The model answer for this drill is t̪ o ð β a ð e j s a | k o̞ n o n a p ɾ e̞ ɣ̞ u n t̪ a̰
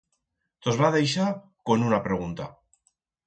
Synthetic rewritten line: t̪ o z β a ð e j ʃ a | k o̞ n u n a p ɾ e̞ ɣ̞ u n t̪ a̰